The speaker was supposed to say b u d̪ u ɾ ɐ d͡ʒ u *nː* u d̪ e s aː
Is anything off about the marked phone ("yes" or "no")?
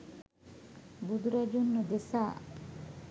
no